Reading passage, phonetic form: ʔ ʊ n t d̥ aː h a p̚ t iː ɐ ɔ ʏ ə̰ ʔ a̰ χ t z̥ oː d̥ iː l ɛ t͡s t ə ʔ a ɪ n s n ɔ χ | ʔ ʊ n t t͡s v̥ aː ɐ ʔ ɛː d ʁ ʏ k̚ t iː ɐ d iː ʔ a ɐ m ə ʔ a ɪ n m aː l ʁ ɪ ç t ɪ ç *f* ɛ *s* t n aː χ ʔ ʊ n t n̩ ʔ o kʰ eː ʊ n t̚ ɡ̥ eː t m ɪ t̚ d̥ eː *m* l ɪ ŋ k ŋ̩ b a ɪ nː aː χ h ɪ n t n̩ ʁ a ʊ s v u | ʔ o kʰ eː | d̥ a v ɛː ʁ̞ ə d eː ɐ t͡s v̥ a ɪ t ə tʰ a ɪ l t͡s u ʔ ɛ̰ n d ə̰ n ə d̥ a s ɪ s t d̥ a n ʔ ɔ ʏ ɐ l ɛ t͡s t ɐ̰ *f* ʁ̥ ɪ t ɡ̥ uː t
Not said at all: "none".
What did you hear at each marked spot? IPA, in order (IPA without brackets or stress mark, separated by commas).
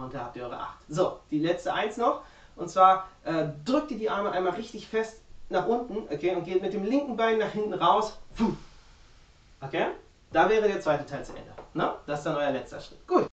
f, s, m, ʃ